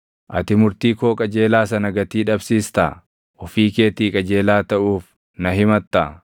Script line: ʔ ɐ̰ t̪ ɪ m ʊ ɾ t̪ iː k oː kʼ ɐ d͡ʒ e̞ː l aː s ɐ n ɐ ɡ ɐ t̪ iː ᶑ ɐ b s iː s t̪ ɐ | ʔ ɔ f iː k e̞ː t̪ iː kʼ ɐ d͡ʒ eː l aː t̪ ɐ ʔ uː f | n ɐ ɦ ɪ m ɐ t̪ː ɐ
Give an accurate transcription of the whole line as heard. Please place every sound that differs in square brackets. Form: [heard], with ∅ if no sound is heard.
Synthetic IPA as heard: ʔ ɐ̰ t̪ ɪ m ʊ ɾ t̪ iː k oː kʼ ɐ d͡ʒ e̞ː l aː s ɐ n ɐ ɡ ɐ t̪ iː ᶑ ɐ b s iː s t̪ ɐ | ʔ ɔ f iː k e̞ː t̪ iː kʼ ɐ d͡ʒ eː l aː t̪ ɐ ʔ uː f | n ɐ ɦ ɪ m ɐ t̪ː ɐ